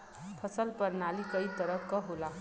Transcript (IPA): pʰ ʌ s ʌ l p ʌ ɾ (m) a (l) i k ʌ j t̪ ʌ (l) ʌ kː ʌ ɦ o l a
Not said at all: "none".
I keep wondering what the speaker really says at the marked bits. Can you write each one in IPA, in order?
n, l, ɾ

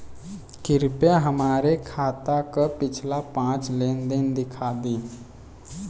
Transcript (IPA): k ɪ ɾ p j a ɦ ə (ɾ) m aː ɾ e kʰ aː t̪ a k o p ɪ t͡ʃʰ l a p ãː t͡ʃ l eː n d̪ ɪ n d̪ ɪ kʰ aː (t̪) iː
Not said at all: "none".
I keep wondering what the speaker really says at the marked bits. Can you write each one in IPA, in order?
none, d̪

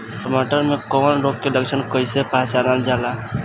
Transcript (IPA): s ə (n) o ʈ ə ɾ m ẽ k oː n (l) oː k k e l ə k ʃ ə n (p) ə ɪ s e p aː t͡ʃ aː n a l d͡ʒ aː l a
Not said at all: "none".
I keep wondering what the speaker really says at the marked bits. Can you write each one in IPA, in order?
m, ɾ, k

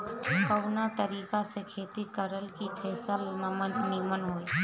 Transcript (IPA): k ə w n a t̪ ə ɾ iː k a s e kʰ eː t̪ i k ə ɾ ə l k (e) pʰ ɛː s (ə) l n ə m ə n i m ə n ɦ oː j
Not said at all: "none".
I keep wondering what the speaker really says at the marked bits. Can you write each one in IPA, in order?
i, ə

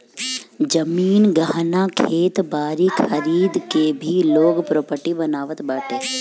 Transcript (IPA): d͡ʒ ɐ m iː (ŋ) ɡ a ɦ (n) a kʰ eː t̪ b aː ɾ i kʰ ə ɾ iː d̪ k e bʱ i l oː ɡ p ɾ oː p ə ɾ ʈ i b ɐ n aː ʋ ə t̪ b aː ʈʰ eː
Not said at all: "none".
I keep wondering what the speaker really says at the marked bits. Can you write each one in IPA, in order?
n, n

